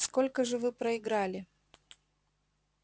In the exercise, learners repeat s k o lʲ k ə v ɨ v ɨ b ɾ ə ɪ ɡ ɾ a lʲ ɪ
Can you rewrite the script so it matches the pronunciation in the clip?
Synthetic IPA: s k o lʲ k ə ʐ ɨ v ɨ p ɾ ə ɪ ɡ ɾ a lʲ ɪ